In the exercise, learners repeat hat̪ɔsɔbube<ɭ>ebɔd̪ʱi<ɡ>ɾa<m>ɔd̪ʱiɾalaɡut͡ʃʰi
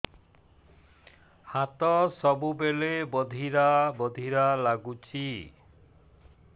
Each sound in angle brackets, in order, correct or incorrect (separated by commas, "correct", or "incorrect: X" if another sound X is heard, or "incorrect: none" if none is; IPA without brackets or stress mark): incorrect: l, incorrect: none, incorrect: b